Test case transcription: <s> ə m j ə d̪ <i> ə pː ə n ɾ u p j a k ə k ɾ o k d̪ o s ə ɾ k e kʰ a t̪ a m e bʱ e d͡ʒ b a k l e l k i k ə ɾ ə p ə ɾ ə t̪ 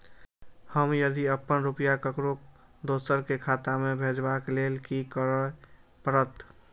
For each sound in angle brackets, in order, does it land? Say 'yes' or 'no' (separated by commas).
no, yes